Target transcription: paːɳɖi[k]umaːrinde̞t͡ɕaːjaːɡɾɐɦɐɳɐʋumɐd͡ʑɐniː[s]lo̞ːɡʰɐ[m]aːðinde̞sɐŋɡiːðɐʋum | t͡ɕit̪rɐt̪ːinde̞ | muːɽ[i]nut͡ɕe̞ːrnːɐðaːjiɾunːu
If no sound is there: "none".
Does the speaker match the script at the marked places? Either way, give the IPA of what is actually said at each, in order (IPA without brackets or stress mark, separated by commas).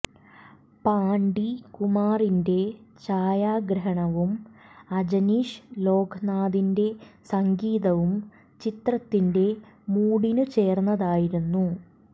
k, ʂ, n, i